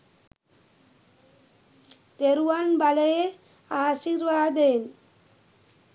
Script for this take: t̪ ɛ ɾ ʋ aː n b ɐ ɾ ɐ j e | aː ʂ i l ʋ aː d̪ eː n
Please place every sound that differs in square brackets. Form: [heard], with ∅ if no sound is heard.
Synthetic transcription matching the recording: t̪ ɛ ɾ ʋ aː n b ɐ [l] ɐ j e | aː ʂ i [ɾ] ʋ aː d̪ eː n

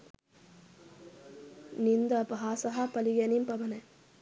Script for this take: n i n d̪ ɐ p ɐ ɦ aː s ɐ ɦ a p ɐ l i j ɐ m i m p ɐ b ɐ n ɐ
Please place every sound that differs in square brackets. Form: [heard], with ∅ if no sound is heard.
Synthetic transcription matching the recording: n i n d̪ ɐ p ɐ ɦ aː s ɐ ɦ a p ɐ l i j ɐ [n] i m p ɐ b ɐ n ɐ

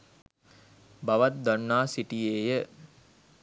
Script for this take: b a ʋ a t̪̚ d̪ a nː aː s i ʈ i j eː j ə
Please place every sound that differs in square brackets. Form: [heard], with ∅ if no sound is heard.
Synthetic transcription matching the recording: b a ʋ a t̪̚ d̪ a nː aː s i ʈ i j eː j ə

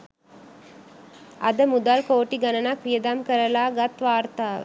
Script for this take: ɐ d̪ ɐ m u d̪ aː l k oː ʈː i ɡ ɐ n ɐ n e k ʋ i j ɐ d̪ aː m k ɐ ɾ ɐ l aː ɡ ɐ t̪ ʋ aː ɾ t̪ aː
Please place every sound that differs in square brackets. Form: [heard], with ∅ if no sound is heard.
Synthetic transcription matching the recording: ɐ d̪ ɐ m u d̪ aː l k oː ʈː i ɡ ɐ n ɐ n [a] k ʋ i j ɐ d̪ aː m k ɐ ɾ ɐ l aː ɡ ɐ t̪ ʋ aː ɾ t̪ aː

